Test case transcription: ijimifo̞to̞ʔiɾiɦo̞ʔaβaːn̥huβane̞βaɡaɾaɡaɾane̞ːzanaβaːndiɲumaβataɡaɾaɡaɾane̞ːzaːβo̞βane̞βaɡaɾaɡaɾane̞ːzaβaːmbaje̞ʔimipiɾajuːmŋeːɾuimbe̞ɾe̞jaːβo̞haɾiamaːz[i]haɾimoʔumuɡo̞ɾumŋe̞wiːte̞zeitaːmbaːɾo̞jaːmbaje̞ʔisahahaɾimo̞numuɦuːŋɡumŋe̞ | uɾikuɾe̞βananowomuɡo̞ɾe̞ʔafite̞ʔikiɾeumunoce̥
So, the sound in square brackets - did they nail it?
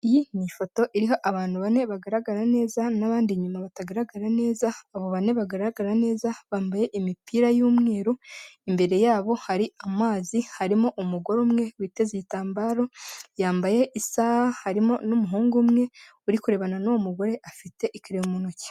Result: yes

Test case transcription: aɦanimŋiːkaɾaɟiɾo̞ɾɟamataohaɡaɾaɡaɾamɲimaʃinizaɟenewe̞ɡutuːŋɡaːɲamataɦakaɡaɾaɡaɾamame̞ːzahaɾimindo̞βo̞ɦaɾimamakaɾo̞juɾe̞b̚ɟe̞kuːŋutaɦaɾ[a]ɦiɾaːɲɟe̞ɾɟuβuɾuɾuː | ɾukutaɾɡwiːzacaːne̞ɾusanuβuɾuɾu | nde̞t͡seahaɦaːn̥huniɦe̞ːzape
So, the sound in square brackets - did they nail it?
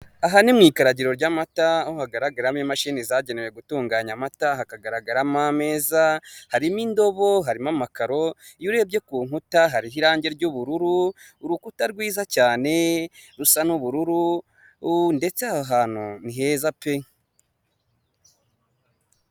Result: no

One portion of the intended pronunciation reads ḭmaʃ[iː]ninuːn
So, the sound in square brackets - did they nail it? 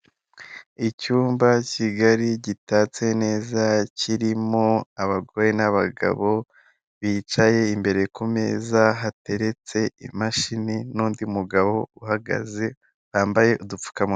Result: no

